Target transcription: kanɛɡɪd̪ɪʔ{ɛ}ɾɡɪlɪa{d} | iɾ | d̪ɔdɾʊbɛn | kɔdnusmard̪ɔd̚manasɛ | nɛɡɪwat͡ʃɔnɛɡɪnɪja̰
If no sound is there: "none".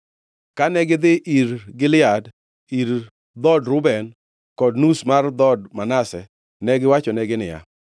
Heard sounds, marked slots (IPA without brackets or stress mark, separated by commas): i, d